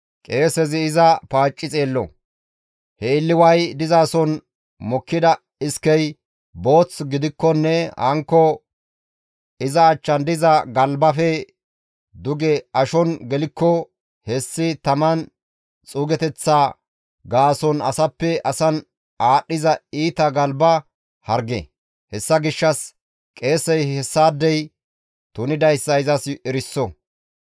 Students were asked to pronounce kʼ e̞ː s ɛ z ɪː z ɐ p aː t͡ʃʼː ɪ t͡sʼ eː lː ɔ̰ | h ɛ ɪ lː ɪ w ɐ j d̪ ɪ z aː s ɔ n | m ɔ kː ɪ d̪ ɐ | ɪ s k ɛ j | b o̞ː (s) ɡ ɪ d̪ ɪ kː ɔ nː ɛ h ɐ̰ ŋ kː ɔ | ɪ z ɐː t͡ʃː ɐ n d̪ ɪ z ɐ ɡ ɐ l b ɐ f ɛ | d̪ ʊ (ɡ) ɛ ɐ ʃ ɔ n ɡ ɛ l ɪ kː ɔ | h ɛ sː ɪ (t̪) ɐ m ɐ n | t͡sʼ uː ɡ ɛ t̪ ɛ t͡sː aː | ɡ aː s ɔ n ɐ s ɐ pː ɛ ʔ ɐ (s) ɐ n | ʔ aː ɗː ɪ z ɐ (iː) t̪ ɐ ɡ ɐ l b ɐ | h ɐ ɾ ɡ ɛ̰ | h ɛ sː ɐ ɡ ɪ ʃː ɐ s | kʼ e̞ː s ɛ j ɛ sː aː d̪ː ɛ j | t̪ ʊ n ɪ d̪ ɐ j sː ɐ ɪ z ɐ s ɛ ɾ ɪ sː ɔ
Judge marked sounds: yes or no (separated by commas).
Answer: no, yes, yes, yes, yes